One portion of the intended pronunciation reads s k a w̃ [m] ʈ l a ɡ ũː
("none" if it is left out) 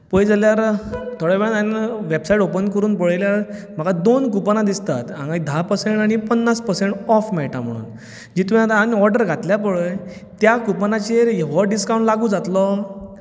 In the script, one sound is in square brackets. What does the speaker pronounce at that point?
ɳ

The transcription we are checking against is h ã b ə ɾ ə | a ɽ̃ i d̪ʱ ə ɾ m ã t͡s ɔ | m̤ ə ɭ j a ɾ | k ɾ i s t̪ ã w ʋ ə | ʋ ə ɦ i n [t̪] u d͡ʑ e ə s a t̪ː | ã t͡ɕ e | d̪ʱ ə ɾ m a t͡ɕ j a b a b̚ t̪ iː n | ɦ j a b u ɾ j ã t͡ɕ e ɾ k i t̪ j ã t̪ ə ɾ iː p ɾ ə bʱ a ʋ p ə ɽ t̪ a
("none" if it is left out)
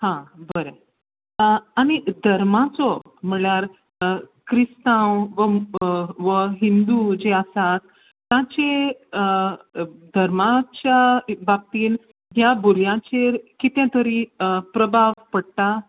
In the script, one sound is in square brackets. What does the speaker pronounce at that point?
d̪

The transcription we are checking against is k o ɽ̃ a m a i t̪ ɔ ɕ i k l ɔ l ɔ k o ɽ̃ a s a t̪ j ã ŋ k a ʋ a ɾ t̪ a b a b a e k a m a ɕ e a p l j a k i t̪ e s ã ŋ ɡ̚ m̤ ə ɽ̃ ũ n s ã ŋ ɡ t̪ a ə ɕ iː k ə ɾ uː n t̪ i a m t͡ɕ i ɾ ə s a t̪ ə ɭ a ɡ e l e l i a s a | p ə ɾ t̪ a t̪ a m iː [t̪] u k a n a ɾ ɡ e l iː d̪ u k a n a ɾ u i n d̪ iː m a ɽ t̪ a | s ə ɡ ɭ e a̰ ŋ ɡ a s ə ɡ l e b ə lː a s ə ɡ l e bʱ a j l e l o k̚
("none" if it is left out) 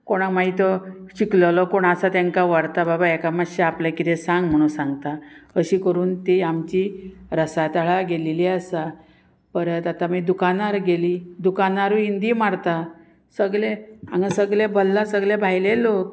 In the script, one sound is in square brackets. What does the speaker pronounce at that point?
d̪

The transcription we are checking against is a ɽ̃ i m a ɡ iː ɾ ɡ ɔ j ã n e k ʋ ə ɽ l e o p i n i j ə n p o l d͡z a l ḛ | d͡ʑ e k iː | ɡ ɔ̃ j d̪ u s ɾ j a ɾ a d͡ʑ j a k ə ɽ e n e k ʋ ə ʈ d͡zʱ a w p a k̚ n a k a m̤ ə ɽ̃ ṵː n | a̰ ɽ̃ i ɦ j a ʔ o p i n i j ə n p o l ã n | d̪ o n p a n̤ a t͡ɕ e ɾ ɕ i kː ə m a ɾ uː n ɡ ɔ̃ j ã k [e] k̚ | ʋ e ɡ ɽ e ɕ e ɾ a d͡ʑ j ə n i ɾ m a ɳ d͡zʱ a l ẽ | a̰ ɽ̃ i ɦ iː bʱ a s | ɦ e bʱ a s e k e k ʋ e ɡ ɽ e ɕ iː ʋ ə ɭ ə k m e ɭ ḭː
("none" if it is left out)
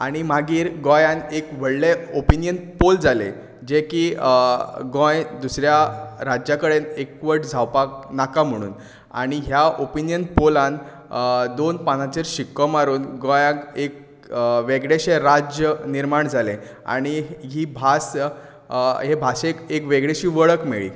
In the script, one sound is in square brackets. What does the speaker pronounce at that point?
e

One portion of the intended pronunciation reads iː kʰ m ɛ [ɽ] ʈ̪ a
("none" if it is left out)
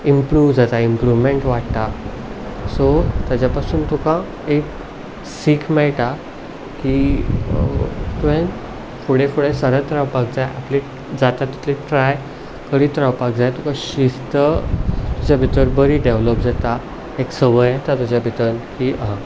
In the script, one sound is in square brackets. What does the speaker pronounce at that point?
ɭ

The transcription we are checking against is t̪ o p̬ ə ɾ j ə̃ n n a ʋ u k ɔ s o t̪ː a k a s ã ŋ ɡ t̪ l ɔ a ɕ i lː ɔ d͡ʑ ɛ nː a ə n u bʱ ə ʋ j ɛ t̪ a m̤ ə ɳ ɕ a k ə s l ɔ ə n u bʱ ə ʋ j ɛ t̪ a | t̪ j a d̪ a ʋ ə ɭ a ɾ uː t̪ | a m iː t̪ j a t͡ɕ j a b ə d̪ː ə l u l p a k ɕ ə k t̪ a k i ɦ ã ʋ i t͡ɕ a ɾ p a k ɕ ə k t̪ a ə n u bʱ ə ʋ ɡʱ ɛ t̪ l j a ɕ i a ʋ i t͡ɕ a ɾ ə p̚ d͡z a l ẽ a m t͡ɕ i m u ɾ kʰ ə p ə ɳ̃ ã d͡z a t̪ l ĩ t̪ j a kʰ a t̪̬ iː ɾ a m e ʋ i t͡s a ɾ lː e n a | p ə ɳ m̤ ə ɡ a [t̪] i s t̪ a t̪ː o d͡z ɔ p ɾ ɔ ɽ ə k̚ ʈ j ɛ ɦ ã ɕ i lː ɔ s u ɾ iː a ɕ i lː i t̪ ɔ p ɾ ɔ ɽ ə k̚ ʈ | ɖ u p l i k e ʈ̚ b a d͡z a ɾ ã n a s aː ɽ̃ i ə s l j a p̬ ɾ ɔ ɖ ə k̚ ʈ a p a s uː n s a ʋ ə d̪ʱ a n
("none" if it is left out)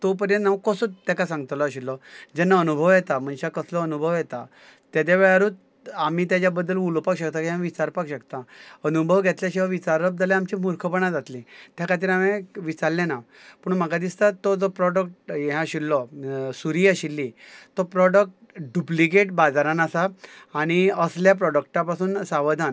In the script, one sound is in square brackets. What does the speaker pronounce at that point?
d̪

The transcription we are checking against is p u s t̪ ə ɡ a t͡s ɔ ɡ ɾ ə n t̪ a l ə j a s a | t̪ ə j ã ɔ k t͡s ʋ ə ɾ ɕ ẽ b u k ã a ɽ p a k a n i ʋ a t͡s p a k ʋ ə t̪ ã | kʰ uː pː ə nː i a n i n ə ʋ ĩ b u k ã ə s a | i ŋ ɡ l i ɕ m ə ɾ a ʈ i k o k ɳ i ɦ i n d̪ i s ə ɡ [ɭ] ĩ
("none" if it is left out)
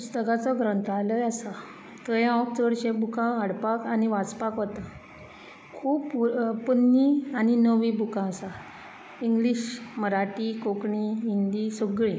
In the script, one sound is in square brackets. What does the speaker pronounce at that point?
ɭ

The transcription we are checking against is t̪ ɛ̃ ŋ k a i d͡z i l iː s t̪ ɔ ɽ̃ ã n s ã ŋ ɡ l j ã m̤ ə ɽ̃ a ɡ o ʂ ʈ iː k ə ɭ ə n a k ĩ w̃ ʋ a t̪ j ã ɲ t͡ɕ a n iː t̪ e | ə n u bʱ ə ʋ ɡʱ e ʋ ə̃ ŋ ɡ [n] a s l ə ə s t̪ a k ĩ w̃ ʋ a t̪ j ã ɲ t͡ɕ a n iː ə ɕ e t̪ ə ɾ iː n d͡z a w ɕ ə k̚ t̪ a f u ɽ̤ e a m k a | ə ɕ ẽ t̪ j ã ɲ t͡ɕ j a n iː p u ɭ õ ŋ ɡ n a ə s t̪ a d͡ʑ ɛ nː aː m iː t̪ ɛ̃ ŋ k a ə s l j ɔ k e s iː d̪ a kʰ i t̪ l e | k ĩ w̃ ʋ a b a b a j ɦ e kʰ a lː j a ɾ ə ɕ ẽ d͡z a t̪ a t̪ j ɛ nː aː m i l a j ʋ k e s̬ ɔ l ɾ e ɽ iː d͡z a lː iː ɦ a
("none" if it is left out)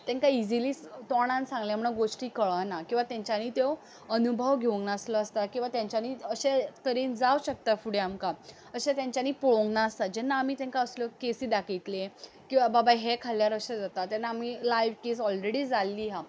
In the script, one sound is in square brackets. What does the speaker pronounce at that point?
n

